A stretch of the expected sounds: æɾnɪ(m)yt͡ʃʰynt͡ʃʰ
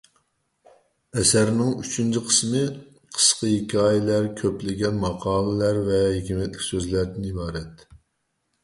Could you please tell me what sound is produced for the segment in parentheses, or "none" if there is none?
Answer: ŋ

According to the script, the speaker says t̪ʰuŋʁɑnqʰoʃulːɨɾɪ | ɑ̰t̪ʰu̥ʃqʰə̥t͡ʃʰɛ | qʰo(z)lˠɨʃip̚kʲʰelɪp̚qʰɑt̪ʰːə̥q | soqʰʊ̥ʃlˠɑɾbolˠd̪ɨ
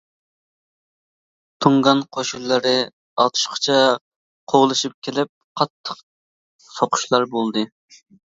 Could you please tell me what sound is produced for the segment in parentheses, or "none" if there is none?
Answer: ʁ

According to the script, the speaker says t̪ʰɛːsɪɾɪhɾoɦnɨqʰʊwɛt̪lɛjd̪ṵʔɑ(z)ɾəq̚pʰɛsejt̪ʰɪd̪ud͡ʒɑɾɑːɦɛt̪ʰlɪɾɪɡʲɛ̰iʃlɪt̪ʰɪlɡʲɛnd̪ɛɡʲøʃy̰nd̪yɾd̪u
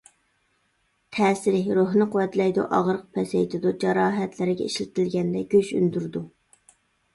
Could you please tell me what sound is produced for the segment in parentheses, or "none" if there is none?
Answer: ʁ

